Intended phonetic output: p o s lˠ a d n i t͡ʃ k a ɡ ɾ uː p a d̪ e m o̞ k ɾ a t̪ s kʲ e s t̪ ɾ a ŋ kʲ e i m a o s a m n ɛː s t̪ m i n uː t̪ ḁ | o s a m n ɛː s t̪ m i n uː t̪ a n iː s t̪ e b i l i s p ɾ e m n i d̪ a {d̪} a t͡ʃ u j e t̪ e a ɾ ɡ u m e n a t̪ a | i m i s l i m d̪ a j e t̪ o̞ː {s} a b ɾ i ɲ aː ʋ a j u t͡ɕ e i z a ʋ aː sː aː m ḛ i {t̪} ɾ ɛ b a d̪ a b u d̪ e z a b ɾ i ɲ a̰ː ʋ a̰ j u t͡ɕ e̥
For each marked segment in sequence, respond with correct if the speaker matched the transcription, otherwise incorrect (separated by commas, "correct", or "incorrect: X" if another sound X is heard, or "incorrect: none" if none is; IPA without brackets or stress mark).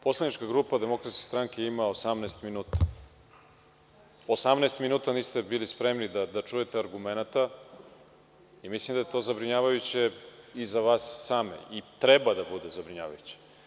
correct, incorrect: z, correct